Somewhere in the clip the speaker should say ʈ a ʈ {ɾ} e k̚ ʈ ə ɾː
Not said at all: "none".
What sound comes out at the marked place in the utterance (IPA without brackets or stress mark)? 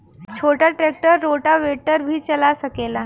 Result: ɾ